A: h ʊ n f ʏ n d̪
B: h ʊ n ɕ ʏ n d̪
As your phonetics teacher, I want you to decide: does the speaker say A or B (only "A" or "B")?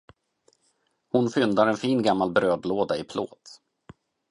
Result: A